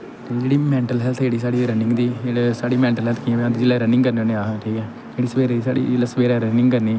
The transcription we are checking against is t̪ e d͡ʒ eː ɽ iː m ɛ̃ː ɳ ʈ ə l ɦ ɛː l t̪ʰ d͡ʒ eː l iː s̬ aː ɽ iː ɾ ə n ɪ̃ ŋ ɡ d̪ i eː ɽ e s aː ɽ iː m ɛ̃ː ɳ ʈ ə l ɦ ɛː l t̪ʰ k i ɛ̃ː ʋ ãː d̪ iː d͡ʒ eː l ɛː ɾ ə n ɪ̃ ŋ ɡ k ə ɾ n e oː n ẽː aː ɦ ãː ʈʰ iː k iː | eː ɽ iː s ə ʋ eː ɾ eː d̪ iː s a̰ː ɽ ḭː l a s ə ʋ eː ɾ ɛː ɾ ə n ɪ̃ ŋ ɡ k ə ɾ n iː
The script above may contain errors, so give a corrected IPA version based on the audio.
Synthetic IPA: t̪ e d͡ʒ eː ɽ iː m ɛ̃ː ɳ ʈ ə l ɦ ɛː l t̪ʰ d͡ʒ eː ɽ iː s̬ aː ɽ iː ɾ ə n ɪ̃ ŋ ɡ d̪ iː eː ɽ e s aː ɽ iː m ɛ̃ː ɳ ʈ ə l ɦ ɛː l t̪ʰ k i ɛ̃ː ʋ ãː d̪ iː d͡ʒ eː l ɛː ɾ ə n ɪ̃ ŋ ɡ k ə ɾ n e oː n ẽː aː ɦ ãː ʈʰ iː k ɛː | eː ɽ iː s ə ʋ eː ɾ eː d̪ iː s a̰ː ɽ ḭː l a s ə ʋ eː ɾ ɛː ɾ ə n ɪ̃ ŋ ɡ k ə ɾ n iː